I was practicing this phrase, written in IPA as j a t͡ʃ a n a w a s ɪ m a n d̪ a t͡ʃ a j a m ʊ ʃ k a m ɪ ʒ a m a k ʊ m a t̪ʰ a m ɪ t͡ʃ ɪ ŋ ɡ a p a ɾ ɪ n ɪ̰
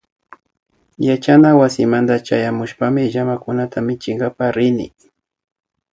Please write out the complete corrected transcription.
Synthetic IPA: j a t͡ʃ a n a w a s ɪ m a n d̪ a t͡ʃ a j a m ʊ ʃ p a m ɪ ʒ a m a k ʊ n a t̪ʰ a m ɪ t͡ʃ ɪ ŋ ɡ a p a ɾ ɪ n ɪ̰